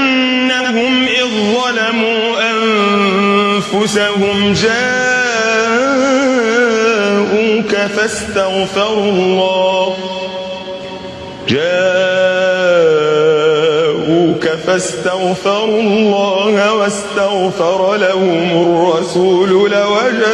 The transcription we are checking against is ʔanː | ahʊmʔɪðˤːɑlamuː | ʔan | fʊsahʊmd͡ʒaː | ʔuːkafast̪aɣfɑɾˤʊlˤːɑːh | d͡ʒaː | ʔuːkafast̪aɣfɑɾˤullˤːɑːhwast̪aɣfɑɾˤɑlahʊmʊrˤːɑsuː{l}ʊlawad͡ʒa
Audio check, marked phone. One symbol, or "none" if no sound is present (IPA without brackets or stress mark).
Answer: l